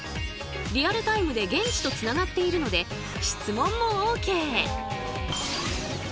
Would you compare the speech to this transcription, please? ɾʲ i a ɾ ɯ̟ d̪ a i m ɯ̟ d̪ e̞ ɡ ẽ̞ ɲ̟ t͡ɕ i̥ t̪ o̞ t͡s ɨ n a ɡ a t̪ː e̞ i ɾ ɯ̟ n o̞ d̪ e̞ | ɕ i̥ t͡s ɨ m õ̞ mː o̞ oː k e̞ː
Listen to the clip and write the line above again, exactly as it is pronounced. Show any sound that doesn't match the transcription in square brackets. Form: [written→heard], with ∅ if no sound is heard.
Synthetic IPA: ɾʲ i a ɾ ɯ̟ [d̪→t̪] a i m ɯ̟ d̪ e̞ ɡ ẽ̞ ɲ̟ t͡ɕ i̥ t̪ o̞ t͡s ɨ n a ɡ a t̪ː e̞ i ɾ ɯ̟ n o̞ d̪ e̞ | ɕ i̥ t͡s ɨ m õ̞ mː o̞ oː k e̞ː